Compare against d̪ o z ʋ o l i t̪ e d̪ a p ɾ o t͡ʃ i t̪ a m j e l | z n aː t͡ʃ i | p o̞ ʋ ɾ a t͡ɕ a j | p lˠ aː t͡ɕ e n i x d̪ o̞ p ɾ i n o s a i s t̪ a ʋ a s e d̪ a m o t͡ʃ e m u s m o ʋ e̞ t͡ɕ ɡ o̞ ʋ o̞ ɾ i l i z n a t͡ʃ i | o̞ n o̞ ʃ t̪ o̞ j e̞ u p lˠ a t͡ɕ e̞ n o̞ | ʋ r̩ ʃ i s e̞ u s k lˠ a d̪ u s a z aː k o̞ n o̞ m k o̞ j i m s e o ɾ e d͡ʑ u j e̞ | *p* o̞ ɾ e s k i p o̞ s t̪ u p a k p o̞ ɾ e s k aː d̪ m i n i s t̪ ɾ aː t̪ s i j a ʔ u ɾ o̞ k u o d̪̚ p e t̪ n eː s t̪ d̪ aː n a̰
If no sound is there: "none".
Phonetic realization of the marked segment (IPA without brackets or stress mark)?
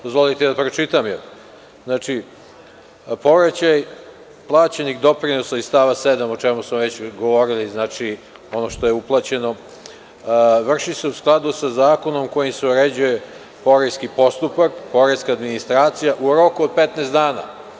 p